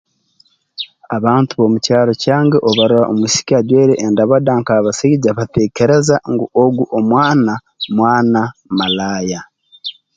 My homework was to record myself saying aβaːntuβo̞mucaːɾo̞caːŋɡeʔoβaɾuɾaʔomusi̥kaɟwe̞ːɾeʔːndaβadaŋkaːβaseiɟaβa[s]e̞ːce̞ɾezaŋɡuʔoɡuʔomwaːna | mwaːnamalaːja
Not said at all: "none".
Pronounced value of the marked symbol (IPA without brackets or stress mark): t